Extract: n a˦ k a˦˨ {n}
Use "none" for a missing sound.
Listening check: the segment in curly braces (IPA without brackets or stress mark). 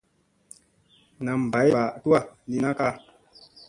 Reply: none